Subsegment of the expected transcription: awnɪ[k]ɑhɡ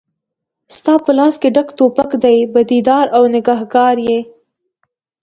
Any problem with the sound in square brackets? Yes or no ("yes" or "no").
yes